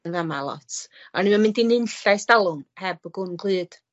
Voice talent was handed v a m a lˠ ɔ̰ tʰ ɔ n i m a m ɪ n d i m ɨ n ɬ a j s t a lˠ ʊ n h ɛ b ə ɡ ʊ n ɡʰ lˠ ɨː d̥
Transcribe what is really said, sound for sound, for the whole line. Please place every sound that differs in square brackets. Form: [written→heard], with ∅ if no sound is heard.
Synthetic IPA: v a m a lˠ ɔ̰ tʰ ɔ n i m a m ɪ n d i [m→n] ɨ n ɬ a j s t a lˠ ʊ n h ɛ b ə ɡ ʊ n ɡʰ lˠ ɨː d̥